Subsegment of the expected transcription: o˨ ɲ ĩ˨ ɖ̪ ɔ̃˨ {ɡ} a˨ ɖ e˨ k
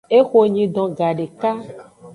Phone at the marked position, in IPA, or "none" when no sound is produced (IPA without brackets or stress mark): ɡ